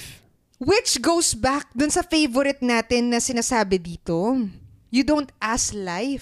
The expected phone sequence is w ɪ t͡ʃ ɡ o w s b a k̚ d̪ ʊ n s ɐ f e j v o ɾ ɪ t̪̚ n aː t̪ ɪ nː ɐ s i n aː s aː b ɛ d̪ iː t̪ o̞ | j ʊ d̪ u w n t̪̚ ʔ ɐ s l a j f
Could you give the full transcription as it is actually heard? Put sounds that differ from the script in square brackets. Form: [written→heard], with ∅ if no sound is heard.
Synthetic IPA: w ɪ t͡ʃ ɡ o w s b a k̚ d̪ ʊ n s ɐ f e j v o ɾ ɪ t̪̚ n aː t̪ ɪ nː ɐ s [i→ɪ] n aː s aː b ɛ d̪ iː t̪ o̞ | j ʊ d̪ [u→o] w n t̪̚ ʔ [ɐ→a] s l a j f